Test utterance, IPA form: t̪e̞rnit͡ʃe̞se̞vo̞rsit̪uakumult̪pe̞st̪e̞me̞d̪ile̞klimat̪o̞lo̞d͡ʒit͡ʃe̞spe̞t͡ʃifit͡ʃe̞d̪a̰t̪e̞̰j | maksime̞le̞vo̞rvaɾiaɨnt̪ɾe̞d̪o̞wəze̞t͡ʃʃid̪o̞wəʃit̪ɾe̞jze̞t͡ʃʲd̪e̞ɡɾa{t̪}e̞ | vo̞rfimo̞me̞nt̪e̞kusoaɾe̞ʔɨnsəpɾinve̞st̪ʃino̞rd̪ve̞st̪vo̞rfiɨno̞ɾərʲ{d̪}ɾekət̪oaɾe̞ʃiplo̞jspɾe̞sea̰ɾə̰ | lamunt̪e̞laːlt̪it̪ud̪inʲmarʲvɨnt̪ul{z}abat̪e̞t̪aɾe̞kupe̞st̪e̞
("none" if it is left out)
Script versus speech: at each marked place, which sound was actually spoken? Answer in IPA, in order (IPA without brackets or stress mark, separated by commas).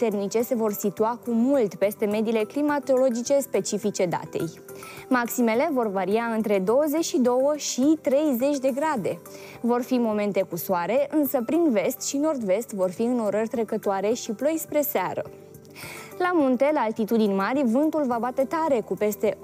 d̪, t̪, v